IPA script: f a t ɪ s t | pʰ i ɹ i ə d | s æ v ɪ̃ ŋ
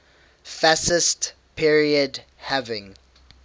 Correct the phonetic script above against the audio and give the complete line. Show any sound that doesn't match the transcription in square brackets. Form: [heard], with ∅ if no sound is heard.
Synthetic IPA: f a [s] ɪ s t | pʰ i ɹ i ə d | [h] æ v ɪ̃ ŋ